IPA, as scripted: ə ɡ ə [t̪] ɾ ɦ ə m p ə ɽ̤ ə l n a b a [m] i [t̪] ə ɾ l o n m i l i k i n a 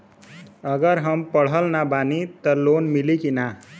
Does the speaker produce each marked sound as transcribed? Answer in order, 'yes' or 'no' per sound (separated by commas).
no, no, yes